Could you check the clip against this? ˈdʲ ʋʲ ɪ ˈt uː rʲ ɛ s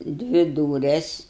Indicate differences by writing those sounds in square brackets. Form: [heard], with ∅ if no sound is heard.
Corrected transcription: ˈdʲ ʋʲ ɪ [ˈd] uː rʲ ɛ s